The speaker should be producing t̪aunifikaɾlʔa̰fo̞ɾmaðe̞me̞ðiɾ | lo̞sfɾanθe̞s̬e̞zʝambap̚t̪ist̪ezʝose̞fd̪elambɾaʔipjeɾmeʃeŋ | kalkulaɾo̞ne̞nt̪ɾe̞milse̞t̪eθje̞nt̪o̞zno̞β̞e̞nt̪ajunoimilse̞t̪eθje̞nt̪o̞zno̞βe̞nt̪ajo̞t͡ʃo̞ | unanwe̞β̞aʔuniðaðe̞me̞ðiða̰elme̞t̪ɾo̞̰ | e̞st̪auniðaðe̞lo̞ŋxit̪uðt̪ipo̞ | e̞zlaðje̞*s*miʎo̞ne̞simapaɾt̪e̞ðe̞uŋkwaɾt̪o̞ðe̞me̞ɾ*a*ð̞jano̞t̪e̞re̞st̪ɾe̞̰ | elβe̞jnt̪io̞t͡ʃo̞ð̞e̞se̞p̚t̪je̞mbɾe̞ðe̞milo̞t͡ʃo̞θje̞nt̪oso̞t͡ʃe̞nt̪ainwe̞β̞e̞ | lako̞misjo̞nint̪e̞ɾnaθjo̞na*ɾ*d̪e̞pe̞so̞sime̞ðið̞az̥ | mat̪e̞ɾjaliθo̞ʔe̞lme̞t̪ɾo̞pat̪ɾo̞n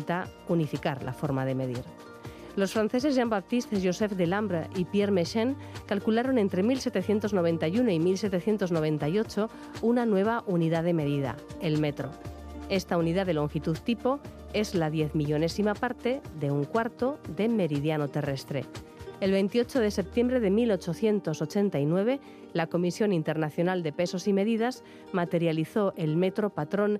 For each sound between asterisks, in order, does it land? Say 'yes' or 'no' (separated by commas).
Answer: no, no, no